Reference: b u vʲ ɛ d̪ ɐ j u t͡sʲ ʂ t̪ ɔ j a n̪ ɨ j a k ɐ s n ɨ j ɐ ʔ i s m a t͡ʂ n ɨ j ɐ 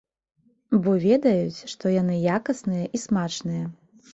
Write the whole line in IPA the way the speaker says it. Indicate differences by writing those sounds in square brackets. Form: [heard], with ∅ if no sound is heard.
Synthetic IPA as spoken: b [ɔ] vʲ ɛ d̪ ɐ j u t͡sʲ ʂ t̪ ɔ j a n̪ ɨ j a k ɐ s n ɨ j ɐ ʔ i s m a t͡ʂ n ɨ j ɐ